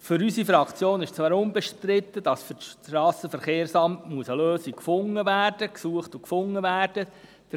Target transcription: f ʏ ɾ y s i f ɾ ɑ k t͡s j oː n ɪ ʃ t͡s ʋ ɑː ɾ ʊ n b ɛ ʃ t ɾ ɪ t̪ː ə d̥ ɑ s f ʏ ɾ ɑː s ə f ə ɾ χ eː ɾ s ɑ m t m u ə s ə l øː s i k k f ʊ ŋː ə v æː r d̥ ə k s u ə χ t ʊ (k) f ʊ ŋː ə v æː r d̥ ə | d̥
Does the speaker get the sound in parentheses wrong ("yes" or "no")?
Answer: no